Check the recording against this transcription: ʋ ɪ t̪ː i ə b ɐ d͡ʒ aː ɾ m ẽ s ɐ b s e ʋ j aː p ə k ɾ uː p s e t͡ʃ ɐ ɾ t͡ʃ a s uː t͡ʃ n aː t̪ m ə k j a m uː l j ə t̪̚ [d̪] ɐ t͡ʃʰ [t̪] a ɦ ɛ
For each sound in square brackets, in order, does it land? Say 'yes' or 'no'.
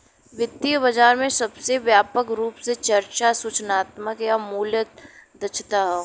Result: yes, yes

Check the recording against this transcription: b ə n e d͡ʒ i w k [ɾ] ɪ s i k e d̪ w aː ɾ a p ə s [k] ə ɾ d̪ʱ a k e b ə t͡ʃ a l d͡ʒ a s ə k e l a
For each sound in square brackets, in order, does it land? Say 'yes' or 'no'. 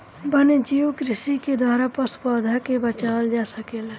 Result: yes, no

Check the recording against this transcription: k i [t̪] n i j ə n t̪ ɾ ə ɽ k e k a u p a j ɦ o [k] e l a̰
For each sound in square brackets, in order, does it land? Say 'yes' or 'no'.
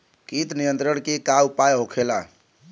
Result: yes, no

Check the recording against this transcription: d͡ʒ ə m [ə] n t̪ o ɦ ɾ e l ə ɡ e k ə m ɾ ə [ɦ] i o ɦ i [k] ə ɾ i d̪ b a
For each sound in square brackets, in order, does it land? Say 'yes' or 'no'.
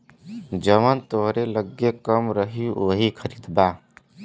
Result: yes, yes, no

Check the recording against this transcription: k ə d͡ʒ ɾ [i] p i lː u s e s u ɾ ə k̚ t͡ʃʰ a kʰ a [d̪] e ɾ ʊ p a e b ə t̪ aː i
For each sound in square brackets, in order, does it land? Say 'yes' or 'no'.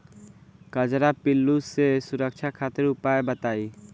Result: no, no

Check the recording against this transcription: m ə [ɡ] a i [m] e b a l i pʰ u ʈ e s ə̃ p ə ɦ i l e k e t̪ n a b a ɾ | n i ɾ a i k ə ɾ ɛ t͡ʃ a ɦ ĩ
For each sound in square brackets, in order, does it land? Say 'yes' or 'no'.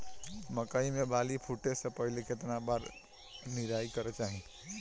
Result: no, yes

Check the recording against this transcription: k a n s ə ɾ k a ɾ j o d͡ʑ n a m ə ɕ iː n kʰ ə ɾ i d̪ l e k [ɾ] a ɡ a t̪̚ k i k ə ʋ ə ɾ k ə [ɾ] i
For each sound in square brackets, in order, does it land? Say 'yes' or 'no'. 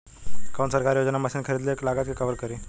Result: no, yes

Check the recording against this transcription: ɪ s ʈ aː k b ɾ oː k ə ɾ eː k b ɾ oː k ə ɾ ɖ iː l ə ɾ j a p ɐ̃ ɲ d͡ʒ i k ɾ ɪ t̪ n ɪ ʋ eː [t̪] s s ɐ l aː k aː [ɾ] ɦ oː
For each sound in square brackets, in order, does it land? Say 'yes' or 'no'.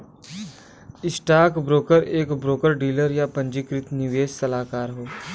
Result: no, yes

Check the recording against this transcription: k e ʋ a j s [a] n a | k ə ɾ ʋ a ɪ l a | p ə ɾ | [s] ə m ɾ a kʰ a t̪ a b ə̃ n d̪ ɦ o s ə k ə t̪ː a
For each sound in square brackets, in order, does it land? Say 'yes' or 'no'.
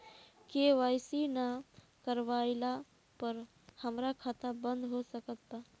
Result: no, no

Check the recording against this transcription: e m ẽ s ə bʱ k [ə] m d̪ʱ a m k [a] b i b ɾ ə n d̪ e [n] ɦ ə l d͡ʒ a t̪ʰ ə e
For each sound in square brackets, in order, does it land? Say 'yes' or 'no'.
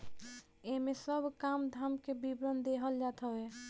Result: no, no, no

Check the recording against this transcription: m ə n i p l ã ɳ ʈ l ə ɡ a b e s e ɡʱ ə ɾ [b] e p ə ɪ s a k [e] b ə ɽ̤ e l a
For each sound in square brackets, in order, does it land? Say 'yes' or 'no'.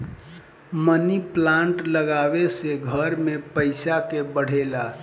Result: no, yes

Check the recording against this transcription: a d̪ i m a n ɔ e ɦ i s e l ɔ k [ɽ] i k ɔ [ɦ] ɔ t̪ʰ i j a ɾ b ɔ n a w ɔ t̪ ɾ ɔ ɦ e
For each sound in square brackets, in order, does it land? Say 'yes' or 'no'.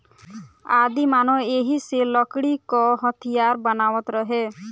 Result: yes, yes

